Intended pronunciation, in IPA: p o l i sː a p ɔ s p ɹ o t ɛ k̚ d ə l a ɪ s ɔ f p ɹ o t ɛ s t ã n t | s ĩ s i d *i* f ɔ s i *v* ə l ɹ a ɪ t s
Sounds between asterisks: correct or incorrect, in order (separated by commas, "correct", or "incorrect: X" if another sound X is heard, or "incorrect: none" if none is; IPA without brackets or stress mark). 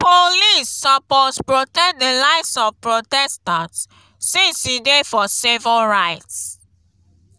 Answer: incorrect: e, correct